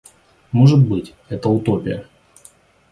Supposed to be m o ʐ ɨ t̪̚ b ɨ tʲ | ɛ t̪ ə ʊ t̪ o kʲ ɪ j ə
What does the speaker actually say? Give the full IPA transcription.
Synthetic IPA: m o ʐ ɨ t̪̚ b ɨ tʲ | ɛ t̪ ə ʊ t̪ o pʲ ɪ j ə

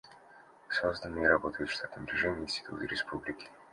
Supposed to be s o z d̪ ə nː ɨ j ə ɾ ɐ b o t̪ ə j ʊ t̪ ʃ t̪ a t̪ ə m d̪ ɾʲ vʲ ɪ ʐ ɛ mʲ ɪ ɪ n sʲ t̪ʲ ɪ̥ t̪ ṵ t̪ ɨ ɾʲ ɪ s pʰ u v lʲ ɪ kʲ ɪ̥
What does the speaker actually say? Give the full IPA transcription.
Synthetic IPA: s o z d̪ ə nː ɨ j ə ɾ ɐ b o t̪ ə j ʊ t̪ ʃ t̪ a t̪ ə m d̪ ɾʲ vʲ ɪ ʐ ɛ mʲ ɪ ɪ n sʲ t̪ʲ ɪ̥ t̪ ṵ t̪ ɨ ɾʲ ɪ s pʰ u b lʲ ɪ kʲ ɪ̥

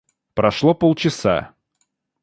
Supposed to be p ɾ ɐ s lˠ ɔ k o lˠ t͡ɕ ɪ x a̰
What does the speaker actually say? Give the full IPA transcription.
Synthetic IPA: p ɾ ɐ ʂ lˠ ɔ p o lˠ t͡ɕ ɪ s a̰

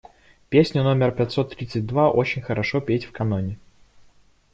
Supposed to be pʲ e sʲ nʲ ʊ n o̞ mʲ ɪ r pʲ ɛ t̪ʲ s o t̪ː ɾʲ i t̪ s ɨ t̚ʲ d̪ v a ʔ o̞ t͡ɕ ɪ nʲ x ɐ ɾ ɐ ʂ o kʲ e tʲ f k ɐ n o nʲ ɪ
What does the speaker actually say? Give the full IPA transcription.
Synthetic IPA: pʲ e sʲ nʲ ʊ n o̞ mʲ ɪ r pʲ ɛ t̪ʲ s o t̪ː ɾʲ i t̪ s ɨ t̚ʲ d̪ v a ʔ o̞ t͡ɕ ɪ nʲ x ə ɾ ɐ ʂ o pʲ e tʲ f k ɐ n o nʲ ɪ

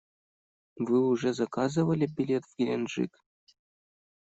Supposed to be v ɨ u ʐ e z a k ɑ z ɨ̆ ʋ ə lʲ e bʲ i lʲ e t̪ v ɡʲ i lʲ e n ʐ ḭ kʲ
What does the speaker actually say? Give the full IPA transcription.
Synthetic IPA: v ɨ u ʐ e z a k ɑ z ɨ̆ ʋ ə lʲ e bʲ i lʲ e t̪ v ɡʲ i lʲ e n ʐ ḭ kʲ

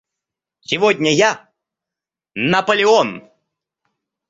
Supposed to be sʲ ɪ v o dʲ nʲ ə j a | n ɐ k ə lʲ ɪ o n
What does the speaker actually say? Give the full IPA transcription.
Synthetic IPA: sʲ ɪ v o dʲ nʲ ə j a | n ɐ p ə lʲ ɪ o n

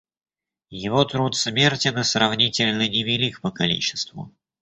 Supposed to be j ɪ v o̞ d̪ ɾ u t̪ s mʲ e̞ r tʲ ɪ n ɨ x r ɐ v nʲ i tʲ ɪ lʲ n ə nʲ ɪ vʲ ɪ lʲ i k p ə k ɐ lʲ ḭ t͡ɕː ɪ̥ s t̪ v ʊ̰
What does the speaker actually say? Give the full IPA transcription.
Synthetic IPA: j ɪ v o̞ t̪ ɾ u t̪ s mʲ e̞ r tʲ ɪ n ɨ s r ɐ v nʲ i tʲ ɪ lʲ n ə nʲ ɪ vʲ ɪ lʲ i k p ə k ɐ lʲ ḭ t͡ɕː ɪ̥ s t̪ v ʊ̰

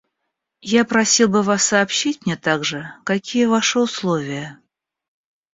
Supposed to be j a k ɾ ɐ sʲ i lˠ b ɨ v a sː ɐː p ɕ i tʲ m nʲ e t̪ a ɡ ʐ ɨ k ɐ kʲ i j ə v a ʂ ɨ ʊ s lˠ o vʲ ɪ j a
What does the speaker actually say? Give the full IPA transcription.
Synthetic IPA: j a p ɾ ɐ sʲ i lˠ b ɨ v a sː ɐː p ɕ i tʲ m nʲ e t̪ a ɡ ʐ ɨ k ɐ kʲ i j ə v a ʂ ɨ ʊ s lˠ o vʲ ɪ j ə

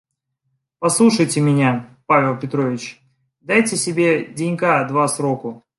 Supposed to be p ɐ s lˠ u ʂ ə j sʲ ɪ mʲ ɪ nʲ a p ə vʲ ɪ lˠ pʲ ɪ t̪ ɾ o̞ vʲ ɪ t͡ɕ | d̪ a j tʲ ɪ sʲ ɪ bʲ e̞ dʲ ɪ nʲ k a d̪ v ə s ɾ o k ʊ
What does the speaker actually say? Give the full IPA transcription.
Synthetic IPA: p ɐ s lˠ u ʂ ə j tʲ ɪ mʲ ɪ nʲ a p a vʲ ɪ lˠ pʲ ɪ t̪ ɾ o̞ vʲ ɪ t͡ɕ | d̪ a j tʲ ɪ sʲ ɪ bʲ e̞ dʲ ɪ nʲ k a d̪ v a s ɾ o k ʊ

